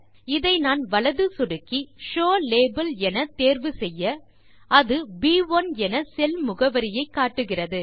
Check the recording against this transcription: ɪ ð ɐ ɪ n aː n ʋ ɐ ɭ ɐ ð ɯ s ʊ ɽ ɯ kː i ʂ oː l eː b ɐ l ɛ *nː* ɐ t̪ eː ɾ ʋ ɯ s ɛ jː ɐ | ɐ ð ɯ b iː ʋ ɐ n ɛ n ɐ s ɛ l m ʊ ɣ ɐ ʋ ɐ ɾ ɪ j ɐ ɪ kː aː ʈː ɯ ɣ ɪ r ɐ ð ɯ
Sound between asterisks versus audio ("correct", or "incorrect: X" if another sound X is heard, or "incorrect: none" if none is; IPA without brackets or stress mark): incorrect: n